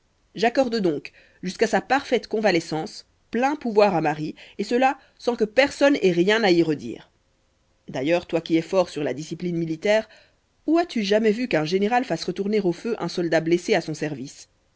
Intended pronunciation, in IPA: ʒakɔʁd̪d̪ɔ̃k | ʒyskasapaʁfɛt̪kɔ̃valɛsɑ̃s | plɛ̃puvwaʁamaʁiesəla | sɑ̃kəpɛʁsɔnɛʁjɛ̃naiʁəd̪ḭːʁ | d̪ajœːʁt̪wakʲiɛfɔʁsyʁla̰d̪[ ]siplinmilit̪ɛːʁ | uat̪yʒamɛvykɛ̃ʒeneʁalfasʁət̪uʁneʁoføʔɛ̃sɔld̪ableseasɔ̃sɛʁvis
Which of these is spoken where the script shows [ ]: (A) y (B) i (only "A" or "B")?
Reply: B